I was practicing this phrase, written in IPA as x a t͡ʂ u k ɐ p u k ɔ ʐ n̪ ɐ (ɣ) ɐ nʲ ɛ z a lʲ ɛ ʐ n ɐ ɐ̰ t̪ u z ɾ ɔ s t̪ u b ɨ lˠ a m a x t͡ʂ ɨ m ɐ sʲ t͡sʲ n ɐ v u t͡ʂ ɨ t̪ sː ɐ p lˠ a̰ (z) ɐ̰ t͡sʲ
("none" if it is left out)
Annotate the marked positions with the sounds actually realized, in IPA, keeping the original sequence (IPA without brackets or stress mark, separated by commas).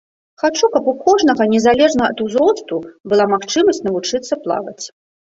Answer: ɣ, v